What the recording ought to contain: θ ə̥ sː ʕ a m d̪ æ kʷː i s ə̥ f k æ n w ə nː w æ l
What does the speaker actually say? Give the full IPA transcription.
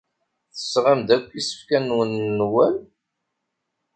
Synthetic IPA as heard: θ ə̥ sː ʁ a m d̪ æ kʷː i s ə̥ f k æ n w ə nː w æ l